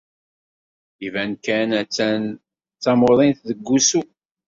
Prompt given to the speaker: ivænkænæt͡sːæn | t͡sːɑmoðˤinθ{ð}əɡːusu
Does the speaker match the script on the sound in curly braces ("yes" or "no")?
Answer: yes